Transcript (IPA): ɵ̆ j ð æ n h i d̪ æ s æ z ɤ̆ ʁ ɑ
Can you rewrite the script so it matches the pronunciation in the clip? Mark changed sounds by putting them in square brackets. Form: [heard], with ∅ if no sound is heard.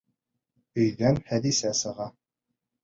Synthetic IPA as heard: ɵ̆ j ð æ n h [æ] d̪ [i] s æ [s] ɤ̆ ʁ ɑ